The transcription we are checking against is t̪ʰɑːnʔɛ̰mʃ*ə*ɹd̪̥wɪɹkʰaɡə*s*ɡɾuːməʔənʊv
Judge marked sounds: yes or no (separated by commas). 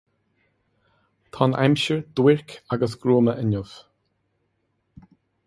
yes, yes